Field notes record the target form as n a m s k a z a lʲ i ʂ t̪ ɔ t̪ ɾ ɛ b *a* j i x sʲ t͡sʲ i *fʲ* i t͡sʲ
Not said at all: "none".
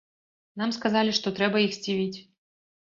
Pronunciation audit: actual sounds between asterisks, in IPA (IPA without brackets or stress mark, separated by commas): ɐ, vʲ